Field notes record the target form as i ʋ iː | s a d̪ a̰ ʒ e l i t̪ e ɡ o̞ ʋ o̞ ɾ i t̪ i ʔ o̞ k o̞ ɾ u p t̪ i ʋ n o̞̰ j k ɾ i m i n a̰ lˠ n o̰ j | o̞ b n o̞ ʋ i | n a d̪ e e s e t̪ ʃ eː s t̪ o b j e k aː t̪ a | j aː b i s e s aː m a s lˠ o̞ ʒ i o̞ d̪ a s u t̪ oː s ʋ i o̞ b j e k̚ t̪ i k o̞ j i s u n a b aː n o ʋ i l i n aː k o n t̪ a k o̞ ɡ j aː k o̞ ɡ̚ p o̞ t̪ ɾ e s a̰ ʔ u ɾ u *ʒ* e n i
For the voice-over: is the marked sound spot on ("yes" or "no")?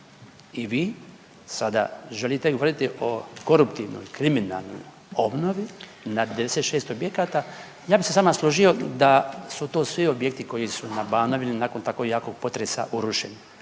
no